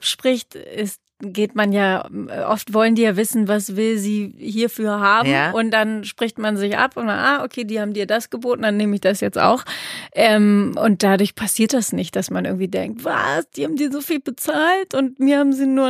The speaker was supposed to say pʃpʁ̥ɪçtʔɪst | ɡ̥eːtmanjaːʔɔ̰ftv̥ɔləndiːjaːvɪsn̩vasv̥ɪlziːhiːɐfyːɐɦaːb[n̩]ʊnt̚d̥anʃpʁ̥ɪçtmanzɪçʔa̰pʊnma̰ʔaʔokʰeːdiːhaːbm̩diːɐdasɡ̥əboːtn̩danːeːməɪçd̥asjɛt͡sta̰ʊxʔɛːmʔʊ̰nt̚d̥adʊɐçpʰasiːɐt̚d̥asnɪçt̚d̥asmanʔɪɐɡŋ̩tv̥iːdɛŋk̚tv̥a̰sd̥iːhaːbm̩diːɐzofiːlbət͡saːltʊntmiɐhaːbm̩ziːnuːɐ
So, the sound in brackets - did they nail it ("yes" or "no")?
no